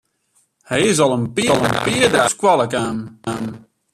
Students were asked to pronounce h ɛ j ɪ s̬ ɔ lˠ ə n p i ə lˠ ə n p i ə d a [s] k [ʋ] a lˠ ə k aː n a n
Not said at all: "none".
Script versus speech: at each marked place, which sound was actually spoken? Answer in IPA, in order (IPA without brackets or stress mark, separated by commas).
s, w